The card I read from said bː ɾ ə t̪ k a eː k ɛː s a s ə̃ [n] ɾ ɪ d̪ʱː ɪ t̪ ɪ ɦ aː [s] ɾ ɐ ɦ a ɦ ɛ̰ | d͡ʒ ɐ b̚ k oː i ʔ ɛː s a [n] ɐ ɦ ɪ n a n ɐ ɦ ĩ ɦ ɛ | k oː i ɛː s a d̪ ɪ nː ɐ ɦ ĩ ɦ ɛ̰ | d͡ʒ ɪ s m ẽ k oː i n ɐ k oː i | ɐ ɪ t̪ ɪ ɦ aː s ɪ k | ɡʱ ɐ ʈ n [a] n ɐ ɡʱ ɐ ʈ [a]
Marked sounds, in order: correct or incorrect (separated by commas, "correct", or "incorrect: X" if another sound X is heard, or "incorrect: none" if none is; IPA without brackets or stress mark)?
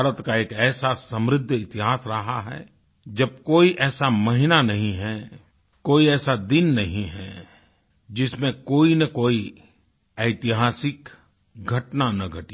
incorrect: m, correct, incorrect: m, correct, incorrect: i